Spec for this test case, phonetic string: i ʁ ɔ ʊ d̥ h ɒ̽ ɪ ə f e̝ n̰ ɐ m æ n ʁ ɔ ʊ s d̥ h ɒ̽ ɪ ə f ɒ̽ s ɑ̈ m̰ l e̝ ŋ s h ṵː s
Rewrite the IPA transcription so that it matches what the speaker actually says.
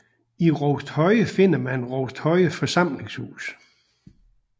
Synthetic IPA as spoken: i ʁ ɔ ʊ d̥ h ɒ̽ ɪ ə f e̝ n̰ ɐ m æ n ʁ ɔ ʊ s d̥ h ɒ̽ ɪ ə f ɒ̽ s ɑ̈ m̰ l e̝ ŋ s h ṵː s